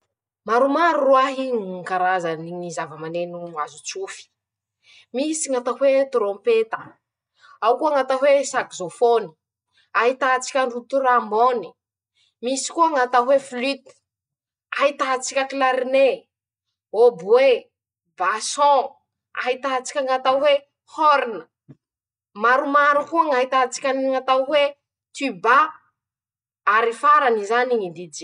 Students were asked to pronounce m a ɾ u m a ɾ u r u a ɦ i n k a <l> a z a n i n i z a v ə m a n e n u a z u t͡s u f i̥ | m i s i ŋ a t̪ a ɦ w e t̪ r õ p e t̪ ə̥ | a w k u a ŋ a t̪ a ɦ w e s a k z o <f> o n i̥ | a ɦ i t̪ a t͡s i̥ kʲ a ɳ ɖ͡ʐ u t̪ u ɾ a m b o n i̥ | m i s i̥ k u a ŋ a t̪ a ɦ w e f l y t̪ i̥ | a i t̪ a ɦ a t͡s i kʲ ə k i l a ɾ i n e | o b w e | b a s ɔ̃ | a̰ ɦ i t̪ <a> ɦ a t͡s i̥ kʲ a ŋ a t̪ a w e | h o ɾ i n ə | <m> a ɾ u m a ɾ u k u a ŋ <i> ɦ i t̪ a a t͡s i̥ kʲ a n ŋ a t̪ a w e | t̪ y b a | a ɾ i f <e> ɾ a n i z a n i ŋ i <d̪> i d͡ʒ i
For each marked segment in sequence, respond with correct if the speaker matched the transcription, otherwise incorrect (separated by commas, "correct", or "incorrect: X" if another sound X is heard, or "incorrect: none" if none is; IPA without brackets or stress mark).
incorrect: ɾ, correct, correct, correct, incorrect: a, incorrect: a, correct